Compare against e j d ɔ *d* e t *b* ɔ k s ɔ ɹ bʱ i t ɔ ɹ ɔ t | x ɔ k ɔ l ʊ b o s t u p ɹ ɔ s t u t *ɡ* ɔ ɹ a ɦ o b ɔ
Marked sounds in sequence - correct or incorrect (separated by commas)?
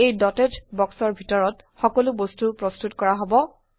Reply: incorrect, correct, incorrect